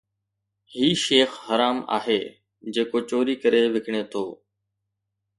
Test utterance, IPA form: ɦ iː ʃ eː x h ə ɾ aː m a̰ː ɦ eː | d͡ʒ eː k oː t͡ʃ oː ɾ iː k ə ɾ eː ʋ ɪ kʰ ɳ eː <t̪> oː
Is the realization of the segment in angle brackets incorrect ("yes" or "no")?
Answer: yes